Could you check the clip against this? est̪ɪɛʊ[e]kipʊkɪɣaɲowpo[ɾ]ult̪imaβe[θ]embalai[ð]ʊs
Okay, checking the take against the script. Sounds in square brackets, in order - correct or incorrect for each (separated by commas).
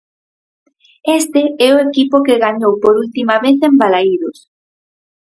correct, correct, correct, correct